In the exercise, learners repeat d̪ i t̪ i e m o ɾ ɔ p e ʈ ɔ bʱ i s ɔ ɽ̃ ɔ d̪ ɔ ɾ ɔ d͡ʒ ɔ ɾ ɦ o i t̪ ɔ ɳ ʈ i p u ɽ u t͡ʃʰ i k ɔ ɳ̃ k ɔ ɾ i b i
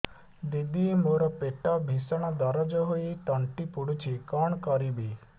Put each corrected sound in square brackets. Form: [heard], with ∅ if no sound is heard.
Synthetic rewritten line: d̪ i [d̪] i e m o ɾ ɔ p e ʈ ɔ bʱ i s ɔ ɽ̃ ɔ d̪ ɔ ɾ ɔ d͡ʒ ɔ [∅] ɦ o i t̪ ɔ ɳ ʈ i p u ɽ u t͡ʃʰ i k ɔ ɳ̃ k ɔ ɾ i b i